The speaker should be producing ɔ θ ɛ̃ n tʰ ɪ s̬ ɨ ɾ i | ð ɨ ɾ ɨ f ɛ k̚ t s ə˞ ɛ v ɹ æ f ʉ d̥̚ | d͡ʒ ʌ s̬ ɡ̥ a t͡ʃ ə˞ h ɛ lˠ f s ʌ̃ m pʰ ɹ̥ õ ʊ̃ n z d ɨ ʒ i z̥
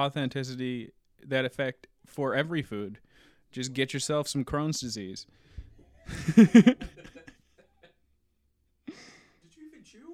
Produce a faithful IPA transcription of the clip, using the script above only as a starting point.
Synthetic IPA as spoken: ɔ θ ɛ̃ n tʰ ɪ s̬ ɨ ɾ i | ð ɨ ɾ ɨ f ɛ k̚ t f ə˞ ɛ v ɹ i f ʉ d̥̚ | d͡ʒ ʌ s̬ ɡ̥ ɛ t͡ʃ ə˞ s ɛ lˠ f s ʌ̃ m kʰ ɹ̥ õ ʊ̃ n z d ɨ z i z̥